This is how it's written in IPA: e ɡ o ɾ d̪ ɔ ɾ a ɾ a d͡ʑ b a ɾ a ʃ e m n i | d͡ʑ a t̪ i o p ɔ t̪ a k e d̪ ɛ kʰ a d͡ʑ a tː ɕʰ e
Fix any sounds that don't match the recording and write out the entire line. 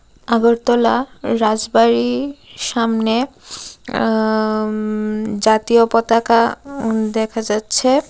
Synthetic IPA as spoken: a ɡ o ɾ t̪ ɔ l a ɾ a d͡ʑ b a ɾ i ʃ a m n e | d͡ʑ a t̪ i o p ɔ t̪ a k a d̪ ɛ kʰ a d͡ʑ a tː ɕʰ e